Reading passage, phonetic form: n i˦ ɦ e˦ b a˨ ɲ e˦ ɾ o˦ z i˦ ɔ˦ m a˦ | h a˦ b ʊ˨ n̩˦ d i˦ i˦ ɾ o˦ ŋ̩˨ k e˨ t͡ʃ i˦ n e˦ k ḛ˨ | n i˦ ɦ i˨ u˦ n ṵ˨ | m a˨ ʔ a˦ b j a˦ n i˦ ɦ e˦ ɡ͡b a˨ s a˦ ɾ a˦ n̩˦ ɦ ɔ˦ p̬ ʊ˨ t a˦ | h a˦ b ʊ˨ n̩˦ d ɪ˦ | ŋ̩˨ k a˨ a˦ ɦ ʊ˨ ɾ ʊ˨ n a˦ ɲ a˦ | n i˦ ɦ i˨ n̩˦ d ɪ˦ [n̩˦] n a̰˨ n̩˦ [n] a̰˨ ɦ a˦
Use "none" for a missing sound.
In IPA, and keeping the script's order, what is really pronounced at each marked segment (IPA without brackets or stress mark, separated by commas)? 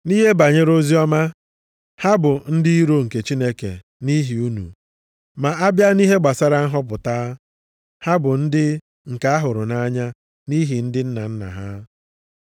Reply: n̩˦, n